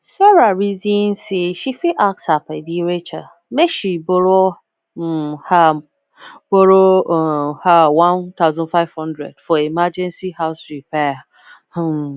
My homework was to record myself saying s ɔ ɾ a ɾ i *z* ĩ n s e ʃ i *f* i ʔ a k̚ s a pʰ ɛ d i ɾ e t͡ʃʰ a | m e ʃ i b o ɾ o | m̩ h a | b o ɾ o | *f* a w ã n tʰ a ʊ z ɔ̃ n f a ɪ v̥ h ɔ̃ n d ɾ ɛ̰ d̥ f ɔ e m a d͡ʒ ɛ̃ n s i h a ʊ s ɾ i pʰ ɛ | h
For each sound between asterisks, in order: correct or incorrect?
correct, correct, incorrect

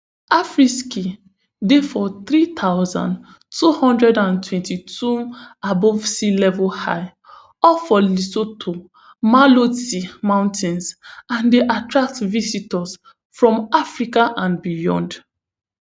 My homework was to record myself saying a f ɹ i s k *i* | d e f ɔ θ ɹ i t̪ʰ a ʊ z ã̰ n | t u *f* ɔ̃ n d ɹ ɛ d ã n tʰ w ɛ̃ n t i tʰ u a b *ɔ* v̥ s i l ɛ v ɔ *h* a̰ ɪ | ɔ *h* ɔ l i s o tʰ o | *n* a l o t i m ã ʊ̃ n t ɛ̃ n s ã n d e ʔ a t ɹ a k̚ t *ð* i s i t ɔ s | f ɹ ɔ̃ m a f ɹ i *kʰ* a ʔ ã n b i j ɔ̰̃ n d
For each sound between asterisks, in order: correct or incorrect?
correct, incorrect, correct, correct, incorrect, incorrect, incorrect, incorrect

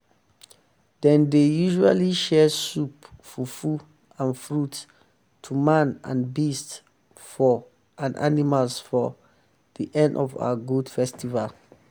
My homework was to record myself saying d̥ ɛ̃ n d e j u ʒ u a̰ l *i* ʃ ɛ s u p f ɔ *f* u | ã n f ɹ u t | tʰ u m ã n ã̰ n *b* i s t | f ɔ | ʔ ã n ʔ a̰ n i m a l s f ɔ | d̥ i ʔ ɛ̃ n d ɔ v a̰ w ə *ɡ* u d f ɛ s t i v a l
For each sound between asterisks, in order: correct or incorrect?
correct, correct, correct, correct

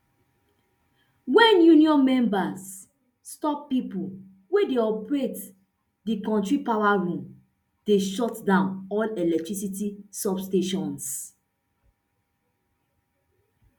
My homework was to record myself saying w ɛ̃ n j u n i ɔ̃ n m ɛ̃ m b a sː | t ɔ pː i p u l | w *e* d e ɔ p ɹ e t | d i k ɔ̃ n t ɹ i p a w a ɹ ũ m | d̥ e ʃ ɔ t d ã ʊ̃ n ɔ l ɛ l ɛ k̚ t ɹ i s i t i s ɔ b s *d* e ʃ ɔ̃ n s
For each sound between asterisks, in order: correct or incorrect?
correct, incorrect

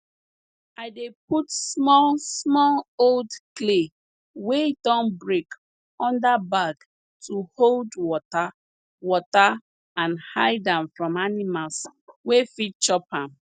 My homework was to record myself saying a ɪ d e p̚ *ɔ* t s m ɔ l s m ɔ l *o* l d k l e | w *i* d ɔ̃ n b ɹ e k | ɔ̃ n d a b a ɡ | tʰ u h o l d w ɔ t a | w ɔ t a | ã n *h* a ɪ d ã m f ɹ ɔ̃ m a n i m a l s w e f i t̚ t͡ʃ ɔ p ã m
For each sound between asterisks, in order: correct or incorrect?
incorrect, correct, incorrect, correct

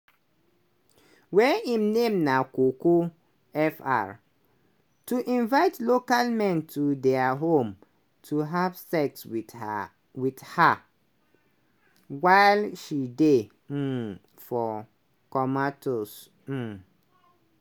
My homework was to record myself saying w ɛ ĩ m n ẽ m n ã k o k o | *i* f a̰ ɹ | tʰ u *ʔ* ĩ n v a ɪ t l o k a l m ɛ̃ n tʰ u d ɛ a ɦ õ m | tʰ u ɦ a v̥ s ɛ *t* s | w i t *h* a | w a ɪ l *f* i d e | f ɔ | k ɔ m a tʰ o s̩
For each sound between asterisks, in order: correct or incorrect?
incorrect, correct, incorrect, correct, incorrect

